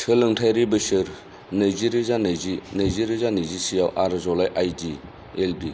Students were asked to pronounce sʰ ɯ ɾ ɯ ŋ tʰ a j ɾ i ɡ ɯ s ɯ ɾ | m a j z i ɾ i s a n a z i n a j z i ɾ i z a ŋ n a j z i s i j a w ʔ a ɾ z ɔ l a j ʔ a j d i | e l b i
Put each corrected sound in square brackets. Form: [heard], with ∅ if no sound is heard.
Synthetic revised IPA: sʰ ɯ [l] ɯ ŋ tʰ a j ɾ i [b] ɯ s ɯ ɾ | [n] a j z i ɾ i [z] a n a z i n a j z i ɾ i z a [∅] n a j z i s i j a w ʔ a ɾ z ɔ l a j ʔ a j d i | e l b i